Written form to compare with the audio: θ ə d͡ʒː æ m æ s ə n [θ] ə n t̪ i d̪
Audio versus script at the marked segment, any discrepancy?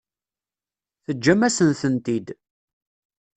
no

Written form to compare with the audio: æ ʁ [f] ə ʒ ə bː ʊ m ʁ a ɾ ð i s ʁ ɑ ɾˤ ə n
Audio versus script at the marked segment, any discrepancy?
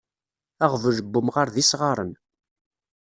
yes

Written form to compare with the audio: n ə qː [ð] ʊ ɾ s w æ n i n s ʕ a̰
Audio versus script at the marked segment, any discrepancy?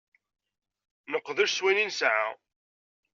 no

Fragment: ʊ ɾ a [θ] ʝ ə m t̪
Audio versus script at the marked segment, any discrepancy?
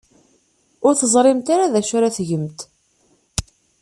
no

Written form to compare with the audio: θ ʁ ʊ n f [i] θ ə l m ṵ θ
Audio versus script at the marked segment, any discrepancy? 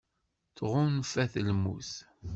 yes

